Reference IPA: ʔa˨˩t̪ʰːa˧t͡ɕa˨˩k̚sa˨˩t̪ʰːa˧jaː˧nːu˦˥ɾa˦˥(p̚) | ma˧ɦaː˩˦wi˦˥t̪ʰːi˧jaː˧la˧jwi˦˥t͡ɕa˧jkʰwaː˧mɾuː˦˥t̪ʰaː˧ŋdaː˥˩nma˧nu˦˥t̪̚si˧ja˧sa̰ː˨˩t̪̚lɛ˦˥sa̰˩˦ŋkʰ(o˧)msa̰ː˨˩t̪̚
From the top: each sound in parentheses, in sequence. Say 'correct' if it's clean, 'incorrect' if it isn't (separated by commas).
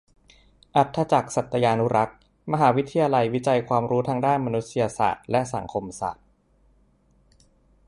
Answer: incorrect, correct